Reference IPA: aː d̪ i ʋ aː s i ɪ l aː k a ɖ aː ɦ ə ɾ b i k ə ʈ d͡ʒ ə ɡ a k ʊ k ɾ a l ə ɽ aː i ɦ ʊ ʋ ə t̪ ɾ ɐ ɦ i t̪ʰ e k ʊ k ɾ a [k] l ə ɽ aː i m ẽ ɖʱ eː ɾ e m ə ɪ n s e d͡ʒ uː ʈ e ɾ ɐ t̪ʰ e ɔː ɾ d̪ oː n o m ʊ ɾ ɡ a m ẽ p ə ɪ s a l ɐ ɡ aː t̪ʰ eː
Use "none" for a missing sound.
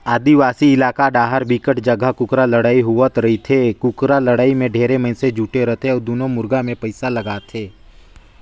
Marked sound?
none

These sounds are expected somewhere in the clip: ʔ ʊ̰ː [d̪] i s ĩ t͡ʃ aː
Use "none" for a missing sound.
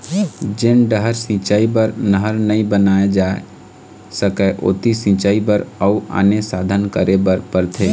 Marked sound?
t̪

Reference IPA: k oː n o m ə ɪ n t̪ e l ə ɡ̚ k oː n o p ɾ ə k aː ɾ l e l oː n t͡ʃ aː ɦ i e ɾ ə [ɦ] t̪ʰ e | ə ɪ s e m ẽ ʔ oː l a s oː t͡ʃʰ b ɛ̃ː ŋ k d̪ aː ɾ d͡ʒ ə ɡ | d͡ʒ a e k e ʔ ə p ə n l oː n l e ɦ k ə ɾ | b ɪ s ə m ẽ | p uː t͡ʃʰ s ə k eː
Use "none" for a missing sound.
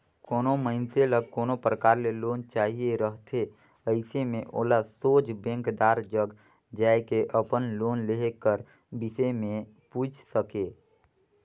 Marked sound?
ɦ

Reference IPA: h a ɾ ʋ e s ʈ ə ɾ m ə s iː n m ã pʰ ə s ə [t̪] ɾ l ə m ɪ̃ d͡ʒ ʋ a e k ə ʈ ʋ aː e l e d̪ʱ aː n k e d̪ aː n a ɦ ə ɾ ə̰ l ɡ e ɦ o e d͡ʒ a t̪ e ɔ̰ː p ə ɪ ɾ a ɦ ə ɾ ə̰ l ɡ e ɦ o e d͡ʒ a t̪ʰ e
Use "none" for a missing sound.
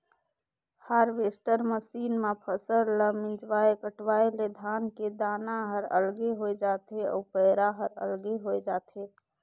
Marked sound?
none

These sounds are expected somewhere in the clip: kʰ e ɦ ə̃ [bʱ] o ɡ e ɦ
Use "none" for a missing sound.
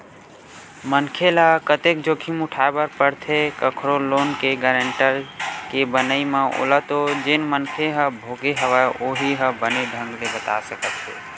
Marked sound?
bʱ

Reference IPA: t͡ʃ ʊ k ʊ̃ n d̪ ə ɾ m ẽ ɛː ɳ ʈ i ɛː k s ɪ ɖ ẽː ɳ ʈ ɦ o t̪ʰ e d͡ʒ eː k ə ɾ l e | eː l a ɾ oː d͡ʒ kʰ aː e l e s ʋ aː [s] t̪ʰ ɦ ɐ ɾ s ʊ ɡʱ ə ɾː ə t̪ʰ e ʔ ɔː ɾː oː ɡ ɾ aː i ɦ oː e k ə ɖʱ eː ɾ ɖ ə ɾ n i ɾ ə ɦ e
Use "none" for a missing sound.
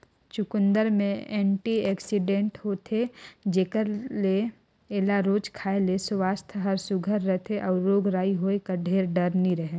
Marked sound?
s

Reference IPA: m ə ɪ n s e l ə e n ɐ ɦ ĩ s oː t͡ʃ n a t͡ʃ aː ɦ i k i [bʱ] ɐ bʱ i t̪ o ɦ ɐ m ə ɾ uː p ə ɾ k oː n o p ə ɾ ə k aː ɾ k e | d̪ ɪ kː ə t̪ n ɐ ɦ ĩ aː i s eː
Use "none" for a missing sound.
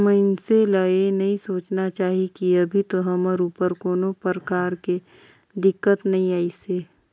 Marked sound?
none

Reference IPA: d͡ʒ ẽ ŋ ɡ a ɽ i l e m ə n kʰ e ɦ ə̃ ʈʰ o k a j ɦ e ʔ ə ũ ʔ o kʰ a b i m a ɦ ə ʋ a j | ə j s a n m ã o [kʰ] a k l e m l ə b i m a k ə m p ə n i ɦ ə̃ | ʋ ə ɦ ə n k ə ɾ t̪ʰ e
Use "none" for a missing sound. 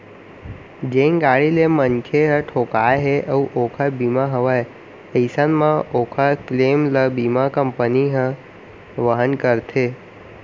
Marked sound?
kʰ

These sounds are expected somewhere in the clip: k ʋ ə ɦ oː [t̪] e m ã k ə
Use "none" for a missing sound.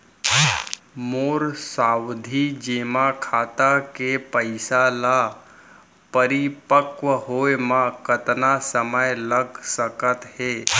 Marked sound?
none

